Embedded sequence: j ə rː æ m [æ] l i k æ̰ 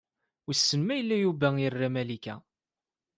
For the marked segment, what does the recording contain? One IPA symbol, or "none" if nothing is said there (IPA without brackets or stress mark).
æ